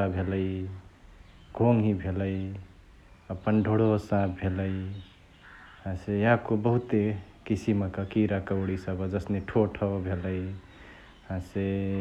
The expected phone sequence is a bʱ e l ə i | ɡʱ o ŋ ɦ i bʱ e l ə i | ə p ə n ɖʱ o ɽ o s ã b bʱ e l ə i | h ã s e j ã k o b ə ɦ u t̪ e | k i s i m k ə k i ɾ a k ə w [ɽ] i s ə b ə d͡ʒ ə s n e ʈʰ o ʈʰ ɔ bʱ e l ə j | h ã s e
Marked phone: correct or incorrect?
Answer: correct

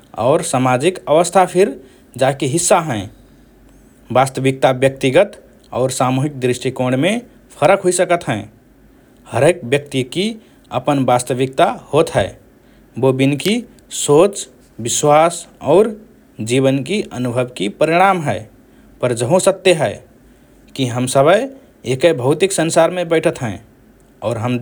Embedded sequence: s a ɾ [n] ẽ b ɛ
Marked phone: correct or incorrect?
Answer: incorrect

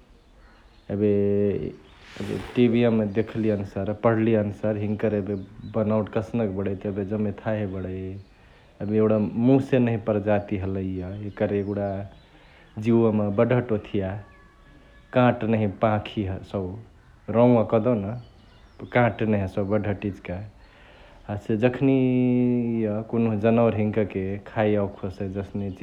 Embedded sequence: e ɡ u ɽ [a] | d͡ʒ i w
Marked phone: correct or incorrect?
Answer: correct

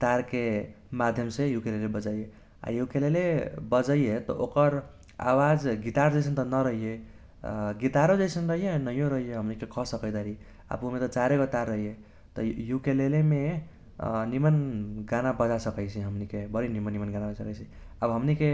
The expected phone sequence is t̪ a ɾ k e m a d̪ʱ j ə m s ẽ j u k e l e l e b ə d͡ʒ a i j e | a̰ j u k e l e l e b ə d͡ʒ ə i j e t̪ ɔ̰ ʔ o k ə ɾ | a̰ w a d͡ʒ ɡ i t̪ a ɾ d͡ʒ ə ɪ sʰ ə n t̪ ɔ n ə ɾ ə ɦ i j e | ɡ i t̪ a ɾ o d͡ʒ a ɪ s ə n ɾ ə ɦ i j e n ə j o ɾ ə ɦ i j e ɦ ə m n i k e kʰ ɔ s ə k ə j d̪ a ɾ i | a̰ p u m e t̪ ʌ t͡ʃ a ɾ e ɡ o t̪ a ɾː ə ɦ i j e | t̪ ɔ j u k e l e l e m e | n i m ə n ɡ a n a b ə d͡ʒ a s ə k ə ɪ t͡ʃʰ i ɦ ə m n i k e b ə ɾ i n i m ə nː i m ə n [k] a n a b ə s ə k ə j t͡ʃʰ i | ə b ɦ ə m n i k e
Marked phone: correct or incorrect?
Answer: incorrect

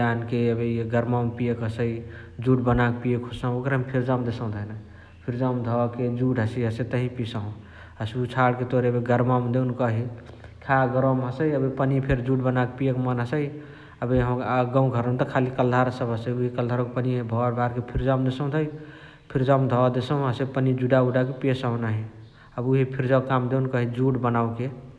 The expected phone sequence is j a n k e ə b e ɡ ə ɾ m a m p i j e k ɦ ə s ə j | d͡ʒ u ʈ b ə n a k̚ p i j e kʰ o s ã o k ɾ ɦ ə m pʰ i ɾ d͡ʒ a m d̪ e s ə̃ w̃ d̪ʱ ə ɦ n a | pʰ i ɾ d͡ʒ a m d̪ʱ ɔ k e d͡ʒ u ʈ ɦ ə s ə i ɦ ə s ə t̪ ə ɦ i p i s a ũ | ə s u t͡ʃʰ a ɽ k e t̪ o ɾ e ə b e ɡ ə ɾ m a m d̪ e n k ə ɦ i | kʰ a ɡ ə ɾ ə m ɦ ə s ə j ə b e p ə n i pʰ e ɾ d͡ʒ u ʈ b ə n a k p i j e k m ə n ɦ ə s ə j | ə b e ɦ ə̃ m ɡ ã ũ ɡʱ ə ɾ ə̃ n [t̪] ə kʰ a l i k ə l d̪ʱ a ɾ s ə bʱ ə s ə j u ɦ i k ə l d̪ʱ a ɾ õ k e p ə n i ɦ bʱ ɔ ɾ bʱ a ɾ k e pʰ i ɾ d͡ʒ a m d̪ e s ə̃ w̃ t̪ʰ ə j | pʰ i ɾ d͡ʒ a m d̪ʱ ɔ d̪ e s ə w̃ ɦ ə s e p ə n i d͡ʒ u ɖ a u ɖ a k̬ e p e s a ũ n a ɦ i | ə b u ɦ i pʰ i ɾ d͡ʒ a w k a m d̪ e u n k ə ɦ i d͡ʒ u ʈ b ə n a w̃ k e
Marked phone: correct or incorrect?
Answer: correct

